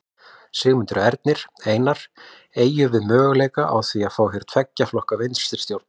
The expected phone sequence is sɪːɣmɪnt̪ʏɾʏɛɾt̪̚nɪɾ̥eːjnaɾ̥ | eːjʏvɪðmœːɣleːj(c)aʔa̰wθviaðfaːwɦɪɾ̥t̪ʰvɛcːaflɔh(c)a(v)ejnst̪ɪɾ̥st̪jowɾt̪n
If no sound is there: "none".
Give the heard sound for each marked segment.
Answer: k, k, v

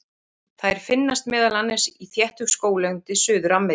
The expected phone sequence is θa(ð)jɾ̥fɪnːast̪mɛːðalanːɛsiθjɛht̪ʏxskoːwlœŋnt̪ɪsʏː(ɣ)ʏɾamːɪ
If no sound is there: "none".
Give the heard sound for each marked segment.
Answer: none, ð

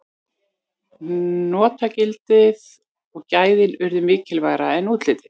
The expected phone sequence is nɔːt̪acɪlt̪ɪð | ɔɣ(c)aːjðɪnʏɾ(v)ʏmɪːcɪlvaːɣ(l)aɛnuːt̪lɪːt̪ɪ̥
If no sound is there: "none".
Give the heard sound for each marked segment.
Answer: c, ð, ɾ

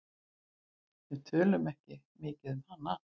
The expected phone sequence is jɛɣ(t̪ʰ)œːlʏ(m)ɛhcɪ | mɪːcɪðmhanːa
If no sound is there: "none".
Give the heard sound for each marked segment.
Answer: t̪ʰ, m

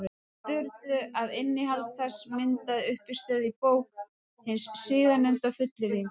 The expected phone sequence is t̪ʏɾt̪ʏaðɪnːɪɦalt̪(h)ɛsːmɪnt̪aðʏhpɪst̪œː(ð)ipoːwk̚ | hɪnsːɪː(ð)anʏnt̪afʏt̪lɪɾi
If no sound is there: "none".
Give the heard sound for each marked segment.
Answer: θ, ð, ð

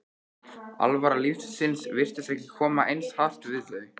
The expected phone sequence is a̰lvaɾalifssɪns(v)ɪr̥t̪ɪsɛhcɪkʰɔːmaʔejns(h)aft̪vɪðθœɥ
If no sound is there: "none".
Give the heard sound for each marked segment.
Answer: v, h

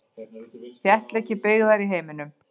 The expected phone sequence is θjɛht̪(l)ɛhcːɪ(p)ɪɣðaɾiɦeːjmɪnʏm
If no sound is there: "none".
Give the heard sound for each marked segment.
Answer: l, p

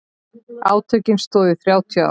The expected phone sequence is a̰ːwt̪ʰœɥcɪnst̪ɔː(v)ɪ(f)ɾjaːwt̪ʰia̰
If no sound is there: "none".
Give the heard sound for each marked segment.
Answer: ð, θ

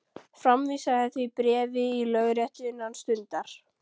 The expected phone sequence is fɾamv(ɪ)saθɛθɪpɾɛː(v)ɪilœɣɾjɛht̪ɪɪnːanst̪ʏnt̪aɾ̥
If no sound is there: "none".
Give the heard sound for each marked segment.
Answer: i, v

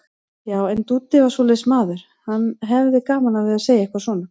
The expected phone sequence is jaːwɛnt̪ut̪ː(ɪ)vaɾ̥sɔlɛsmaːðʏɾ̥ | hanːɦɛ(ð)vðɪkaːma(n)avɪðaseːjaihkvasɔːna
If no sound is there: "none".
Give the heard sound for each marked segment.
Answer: ɪ, none, n

